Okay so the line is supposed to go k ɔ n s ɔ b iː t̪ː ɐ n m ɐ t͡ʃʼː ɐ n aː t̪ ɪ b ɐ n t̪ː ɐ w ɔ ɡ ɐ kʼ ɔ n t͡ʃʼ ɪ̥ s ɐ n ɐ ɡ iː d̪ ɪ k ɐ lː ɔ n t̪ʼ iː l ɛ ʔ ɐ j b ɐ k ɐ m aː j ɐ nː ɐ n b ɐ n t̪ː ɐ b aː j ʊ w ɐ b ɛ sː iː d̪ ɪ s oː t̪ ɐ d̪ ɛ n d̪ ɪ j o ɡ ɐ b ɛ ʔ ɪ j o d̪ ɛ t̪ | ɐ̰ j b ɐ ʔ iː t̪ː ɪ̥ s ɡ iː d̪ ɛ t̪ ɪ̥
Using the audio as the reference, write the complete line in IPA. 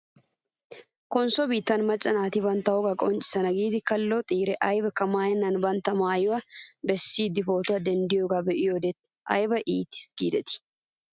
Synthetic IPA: k ɔ n s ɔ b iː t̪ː ɐ n m ɐ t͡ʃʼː ɐ n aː t̪ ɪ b ɐ n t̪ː ɐ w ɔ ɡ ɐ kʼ ɔ n t͡ʃʼ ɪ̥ s ɐ n ɐ ɡ iː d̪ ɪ k ɐ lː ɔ t̪ʼ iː ɾ ɛ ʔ ɐ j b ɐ k ɐ m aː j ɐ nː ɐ n b ɐ n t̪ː ɐ m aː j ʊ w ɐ b ɛ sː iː d̪ ɪ f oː t̪ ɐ d̪ ɛ n d̪ ɪ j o ɡ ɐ b ɛ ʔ ɪ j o d̪ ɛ t̪ | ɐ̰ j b ɐ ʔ iː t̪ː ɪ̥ s ɡ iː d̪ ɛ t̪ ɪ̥

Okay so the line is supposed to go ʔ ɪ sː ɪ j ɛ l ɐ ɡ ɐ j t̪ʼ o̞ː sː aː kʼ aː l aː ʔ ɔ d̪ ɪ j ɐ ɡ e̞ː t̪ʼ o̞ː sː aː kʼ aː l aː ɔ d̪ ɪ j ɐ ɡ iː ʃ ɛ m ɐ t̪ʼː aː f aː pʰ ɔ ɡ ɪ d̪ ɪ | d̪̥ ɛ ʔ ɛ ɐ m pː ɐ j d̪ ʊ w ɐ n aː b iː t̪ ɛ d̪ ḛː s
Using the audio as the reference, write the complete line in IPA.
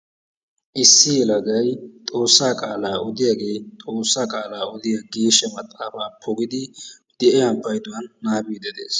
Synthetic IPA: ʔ ɪ sː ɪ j ɛ l ɐ ɡ ɐ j t̪ʼ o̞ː sː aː kʼ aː l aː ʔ ɔ d̪ ɪ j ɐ ɡ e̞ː t̪ʼ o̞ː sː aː kʼ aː l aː ɔ d̪ ɪ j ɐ ɡ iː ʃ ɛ m ɐ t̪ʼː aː f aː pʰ ɔ ɡ ɪ d̪ ɪ | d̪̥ ɛ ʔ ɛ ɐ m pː ɐ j d̪ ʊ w ɐ nː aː b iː d̪ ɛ d̪ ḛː s

